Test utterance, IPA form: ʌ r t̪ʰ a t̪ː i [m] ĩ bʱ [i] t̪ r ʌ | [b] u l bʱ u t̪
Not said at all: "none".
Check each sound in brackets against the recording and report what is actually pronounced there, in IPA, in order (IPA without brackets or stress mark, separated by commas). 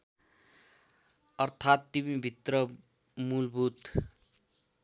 m, i, m